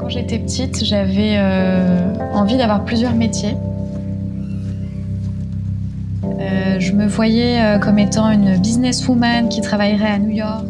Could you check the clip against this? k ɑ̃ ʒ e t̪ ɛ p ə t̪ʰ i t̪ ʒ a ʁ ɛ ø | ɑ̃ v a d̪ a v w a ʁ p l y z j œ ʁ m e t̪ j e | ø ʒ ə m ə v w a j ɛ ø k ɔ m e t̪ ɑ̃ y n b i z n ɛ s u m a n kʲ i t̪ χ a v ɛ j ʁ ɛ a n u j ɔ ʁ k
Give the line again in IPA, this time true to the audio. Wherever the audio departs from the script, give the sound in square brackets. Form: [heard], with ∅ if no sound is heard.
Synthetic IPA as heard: k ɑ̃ ʒ e t̪ ɛ p ə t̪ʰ i t̪ ʒ a [v] ɛ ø | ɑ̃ v [i] d̪ a v w a ʁ p l y z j œ ʁ m e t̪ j e | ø ʒ ə m ə v w a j ɛ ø k ɔ m e t̪ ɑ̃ y n b i z n ɛ s u m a n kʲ i t̪ χ a v [a] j ʁ ɛ a n u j ɔ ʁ k